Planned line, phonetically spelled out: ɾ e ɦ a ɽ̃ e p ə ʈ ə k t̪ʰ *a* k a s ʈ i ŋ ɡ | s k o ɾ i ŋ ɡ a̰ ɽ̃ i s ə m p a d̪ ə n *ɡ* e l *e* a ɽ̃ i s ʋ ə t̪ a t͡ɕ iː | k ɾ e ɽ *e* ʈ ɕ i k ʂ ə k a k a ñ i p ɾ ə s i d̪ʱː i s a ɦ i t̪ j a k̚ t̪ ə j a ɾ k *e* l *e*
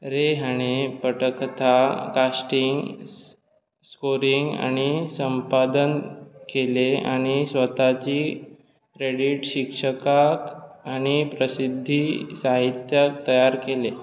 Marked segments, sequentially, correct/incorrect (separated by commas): correct, incorrect, correct, incorrect, correct, correct